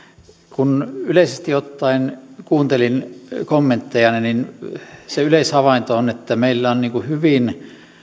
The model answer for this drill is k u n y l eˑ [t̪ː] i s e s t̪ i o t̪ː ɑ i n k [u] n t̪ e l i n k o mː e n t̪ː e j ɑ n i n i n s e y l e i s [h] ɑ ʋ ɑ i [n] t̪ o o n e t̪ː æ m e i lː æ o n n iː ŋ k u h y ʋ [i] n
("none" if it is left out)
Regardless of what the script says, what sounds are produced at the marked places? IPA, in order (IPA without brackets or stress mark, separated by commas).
none, uː, h, n, i